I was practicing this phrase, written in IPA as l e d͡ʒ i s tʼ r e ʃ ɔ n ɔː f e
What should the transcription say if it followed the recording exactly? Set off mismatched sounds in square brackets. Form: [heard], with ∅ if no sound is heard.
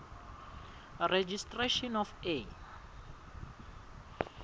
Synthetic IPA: [r] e d͡ʒ i s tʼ r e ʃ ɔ n [ɔ] f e